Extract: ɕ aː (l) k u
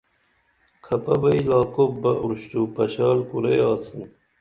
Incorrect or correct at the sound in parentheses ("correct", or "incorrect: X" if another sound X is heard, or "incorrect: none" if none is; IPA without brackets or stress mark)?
correct